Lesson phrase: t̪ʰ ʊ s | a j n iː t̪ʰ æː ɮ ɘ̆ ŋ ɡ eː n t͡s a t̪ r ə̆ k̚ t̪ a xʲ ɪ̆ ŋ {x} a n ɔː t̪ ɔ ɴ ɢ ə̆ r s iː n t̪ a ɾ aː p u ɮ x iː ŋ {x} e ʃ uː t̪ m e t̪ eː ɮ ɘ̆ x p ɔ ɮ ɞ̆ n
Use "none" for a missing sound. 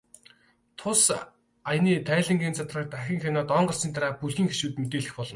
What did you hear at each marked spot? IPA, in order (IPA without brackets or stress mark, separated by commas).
x, x